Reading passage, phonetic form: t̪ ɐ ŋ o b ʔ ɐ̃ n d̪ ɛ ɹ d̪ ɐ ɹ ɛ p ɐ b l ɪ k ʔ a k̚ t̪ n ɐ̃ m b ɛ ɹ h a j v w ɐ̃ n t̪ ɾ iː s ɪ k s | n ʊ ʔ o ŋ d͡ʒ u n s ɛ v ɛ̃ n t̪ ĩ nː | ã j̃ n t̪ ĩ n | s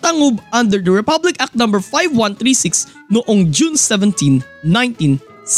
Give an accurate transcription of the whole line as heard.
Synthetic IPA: t̪ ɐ ŋ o b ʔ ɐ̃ n d̪ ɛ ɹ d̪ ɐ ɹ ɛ p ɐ b l ɪ k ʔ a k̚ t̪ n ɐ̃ m b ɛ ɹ f a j v w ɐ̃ n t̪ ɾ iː s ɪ k s | n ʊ ʔ o ŋ d͡ʒ u n s ɛ v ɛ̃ n t̪ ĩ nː | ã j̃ n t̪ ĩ n | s